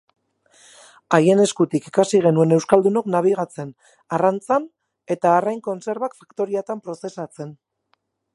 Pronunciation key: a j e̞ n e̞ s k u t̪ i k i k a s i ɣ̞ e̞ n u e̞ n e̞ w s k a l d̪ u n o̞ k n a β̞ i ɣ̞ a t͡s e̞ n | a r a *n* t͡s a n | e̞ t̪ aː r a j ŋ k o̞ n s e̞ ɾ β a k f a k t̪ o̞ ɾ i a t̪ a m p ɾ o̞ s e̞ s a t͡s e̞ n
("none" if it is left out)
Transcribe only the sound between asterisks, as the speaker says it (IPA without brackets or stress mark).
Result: n